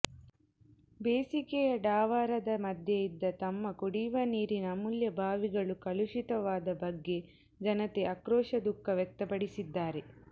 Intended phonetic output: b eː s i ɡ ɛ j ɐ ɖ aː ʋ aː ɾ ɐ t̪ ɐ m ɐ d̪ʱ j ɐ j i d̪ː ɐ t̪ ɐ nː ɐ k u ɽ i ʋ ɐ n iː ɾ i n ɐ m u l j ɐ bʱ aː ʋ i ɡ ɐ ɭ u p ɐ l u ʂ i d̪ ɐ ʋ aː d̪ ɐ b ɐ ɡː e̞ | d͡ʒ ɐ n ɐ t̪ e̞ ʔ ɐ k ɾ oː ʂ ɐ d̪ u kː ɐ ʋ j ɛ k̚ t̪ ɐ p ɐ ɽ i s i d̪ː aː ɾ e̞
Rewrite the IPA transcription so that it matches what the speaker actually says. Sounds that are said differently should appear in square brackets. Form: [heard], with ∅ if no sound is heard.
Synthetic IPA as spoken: b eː s i [k] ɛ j ɐ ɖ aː ʋ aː ɾ ɐ [d̪] ɐ m ɐ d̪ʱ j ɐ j i d̪ː ɐ t̪ ɐ [mː] ɐ k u ɽ i ʋ ɐ n iː ɾ i n ɐ m u l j ɐ bʱ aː ʋ i ɡ ɐ ɭ u [k] ɐ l u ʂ i [t̪] ɐ ʋ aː d̪ ɐ b ɐ ɡː e̞ | d͡ʒ ɐ n ɐ t̪ e̞ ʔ ɐ k ɾ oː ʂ ɐ d̪ u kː ɐ ʋ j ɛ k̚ t̪ ɐ p ɐ ɽ i s i d̪ː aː ɾ e̞